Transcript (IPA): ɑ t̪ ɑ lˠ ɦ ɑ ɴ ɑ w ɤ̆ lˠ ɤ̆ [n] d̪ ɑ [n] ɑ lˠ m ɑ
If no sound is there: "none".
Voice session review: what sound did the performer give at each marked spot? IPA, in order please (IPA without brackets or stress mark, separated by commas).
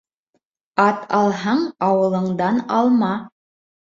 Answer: ɴ, n